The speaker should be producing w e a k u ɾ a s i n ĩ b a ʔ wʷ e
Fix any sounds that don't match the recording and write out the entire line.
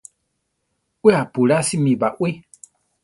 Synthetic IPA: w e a p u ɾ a s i m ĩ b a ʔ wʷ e